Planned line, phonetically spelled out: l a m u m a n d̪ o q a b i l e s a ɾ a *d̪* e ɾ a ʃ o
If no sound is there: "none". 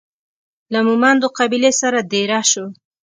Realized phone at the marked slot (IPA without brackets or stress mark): d̪